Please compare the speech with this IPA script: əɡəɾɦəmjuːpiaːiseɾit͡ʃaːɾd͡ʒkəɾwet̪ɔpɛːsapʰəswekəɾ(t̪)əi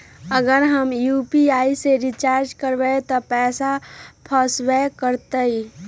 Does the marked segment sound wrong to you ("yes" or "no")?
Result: no